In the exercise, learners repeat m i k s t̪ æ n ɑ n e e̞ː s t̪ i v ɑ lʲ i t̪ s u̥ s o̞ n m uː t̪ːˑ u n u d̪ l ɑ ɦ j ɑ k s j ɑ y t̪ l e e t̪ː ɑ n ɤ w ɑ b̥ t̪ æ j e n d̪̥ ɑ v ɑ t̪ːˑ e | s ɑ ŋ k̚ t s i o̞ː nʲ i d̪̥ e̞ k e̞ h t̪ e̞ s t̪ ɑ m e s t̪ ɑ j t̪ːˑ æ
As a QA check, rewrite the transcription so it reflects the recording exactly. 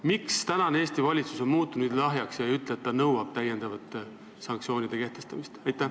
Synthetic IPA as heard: m i k s t̪ æ n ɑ n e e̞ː s t̪ i v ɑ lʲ i t̪ s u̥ s o̞ n m uː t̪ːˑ u n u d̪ l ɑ ɦ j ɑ k s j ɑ y t̪ l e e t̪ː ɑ n ɤ w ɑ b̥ t̪ æ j e n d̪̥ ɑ v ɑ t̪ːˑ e | s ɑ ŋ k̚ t s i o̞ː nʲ i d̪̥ e̞ k e̞ h t̪ e̞ s t̪ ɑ m i s t̪ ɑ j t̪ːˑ æ